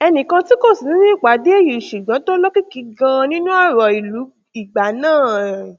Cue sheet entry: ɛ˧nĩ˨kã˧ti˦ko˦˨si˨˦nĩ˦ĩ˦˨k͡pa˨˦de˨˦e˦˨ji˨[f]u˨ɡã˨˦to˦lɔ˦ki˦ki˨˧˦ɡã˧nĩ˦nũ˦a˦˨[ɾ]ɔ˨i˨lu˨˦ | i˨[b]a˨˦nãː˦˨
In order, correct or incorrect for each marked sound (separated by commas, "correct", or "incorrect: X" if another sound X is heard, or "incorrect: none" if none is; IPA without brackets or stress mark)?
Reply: incorrect: ʃ, correct, incorrect: ɡ͡b